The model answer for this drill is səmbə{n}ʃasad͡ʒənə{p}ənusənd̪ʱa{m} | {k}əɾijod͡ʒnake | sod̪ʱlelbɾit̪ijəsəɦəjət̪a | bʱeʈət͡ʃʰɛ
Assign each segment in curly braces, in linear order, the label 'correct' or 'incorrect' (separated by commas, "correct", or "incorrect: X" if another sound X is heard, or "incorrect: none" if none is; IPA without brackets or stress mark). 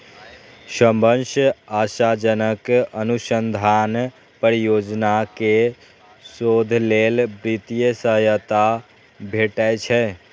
correct, incorrect: k, incorrect: n, incorrect: p